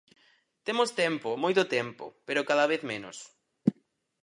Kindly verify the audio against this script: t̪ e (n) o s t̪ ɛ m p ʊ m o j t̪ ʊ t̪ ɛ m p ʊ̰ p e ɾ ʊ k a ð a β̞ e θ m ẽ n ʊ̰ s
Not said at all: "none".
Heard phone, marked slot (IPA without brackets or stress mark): m